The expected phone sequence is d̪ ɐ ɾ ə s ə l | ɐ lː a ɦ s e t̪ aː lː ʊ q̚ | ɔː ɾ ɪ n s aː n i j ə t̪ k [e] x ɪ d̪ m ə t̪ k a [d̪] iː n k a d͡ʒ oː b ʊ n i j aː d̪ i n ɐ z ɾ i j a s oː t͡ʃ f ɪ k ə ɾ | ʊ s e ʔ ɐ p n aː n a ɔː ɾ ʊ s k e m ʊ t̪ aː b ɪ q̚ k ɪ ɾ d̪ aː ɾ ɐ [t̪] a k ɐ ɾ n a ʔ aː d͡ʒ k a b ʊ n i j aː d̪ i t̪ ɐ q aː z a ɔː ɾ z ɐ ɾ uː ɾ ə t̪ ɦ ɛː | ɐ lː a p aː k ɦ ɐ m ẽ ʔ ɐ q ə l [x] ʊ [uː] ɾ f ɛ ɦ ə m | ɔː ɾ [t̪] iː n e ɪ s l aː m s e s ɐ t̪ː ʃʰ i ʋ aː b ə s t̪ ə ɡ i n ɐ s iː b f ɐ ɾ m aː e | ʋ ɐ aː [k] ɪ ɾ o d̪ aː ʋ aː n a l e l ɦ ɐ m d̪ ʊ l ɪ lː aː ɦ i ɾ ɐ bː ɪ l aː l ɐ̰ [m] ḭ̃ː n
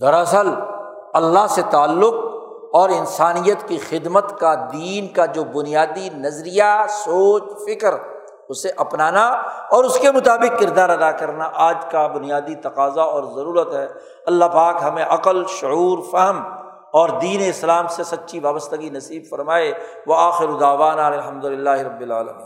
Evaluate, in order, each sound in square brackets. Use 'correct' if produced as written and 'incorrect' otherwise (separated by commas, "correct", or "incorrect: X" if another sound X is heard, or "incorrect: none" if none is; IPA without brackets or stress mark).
incorrect: i, correct, incorrect: d̪, incorrect: ʃ, correct, incorrect: d̪, incorrect: x, correct